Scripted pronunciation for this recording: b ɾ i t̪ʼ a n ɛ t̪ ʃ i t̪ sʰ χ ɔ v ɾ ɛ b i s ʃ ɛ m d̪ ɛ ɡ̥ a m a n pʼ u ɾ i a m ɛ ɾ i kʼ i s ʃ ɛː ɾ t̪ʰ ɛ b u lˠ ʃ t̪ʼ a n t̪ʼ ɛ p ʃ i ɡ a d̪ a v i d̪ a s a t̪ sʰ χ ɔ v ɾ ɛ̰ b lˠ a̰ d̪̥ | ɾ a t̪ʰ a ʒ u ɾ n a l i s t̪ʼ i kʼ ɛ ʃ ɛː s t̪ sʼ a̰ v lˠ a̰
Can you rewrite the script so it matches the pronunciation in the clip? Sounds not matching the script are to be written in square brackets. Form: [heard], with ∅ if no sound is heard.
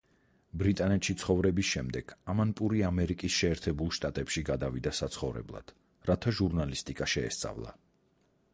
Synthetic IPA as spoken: b ɾ i t̪ʼ a n ɛ t̪ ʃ i t̪ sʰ χ ɔ v ɾ ɛ b i s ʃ ɛ m d̪ ɛ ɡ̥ a m a n pʼ u ɾ i a m ɛ ɾ i kʼ i s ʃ ɛː ɾ t̪ʰ ɛ b u lˠ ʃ t̪ʼ a [∅] t̪ʼ ɛ p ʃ i ɡ a d̪ a v i d̪ a s a t̪ sʰ χ ɔ v ɾ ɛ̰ b lˠ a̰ d̪̥ | ɾ a t̪ʰ a ʒ u ɾ n a l i s t̪ʼ i kʼ [a] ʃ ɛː s t̪ sʼ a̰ v lˠ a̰